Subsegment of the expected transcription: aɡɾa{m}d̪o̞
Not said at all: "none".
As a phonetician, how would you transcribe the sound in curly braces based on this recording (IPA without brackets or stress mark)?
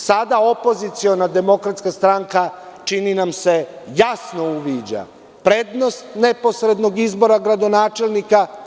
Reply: none